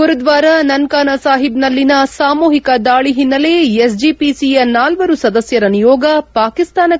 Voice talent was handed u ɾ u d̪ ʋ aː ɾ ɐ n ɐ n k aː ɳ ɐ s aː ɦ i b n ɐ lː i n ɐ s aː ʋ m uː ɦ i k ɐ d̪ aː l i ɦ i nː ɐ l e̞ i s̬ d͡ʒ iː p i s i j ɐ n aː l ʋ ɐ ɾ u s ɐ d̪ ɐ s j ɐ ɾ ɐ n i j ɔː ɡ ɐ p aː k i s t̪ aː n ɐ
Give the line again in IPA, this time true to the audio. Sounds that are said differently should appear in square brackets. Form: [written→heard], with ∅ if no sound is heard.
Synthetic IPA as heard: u ɾ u d̪ ʋ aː ɾ ɐ n ɐ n k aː [ɳ→n] ɐ s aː ɦ i b n ɐ lː i n ɐ s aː [ʋ→∅] m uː ɦ i k ɐ d̪ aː [l→ɭ] i ɦ i nː ɐ l e̞ [i→e] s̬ d͡ʒ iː p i s i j ɐ n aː l ʋ ɐ ɾ u s ɐ d̪ ɐ s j ɐ ɾ ɐ n i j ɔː ɡ ɐ p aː k i s t̪ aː n ɐ